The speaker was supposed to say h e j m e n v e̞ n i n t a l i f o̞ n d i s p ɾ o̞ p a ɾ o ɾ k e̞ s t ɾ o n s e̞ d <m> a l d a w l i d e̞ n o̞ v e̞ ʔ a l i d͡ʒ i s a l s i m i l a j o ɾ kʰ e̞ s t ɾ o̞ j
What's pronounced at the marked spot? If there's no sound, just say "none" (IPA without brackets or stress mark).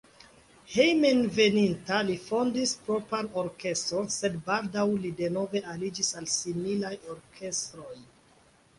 b